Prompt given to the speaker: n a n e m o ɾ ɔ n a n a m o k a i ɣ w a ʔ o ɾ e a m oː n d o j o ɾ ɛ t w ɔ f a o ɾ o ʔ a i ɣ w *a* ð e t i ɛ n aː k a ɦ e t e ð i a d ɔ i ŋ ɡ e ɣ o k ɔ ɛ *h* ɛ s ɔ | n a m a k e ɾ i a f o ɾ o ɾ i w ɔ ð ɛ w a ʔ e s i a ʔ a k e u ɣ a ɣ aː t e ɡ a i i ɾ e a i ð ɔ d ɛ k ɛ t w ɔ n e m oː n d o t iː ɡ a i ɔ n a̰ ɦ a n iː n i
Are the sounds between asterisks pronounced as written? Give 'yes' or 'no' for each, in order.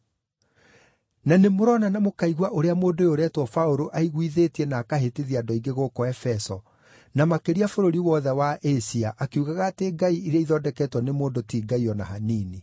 no, no

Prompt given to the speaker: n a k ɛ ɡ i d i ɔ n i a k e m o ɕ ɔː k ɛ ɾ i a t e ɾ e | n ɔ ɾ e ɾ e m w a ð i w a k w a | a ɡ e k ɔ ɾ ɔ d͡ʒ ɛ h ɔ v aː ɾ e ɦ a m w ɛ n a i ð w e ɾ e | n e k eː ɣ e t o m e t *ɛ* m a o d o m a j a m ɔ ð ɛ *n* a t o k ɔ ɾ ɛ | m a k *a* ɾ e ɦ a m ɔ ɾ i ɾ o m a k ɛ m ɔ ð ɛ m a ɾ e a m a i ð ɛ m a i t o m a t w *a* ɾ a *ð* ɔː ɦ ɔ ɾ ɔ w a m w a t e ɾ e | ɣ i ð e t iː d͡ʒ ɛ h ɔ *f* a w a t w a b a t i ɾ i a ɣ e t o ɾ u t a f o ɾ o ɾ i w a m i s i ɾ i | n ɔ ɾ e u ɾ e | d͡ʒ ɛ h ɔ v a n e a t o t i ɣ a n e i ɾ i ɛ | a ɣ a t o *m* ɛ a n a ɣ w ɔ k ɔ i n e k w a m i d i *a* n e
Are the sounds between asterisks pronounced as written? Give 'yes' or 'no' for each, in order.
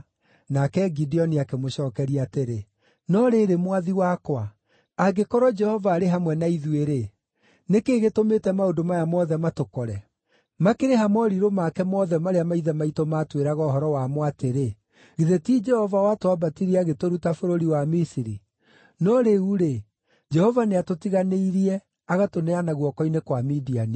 yes, no, no, no, no, no, no, yes

